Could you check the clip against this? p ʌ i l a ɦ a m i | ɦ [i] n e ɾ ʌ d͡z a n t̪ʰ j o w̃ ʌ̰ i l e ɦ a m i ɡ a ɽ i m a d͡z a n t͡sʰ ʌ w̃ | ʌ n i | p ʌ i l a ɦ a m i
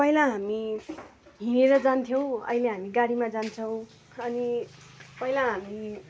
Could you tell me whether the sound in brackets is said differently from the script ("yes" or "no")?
no